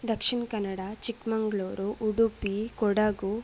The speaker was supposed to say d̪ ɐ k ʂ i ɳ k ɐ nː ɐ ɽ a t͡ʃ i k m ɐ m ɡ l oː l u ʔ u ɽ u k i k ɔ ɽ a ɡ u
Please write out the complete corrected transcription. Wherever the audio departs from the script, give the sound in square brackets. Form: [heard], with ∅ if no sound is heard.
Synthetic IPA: d̪ ɐ k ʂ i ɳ k ɐ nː ɐ ɽ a t͡ʃ i k m ɐ [ŋ] ɡ [ɭ] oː [ɾ] u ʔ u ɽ u [p] i k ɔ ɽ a ɡ u